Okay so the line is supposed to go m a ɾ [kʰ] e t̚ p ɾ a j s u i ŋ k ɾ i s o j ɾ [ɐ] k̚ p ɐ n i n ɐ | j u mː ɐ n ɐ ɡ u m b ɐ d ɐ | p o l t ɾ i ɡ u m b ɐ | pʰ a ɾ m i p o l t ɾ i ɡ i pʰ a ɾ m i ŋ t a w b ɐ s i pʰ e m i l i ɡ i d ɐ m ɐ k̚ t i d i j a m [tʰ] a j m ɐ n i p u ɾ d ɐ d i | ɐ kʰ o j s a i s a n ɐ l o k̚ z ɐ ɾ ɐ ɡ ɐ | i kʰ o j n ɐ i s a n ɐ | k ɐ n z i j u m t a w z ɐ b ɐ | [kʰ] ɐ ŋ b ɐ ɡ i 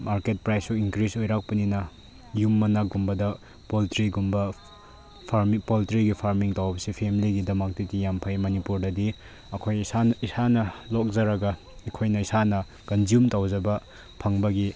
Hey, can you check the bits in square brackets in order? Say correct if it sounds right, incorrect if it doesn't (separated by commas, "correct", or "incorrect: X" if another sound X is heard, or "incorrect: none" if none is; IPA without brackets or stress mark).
incorrect: k, incorrect: a, incorrect: pʰ, incorrect: pʰ